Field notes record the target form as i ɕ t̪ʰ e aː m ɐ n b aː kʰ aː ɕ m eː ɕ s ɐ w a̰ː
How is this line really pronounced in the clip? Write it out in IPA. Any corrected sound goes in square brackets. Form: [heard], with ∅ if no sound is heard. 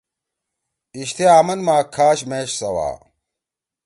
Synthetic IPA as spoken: i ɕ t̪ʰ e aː m ɐ n [m] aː kʰ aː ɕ m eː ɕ s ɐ w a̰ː